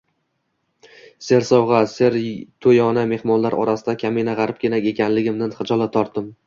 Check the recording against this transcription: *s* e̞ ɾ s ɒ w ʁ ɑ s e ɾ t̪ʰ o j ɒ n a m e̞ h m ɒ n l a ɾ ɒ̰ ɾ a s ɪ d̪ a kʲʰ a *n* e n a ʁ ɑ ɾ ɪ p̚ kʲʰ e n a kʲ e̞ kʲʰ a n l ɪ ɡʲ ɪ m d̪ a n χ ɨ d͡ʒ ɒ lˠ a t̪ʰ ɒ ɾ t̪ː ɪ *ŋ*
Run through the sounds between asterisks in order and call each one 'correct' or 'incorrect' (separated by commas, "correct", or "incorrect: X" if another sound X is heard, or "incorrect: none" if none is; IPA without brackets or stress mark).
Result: correct, incorrect: m, incorrect: m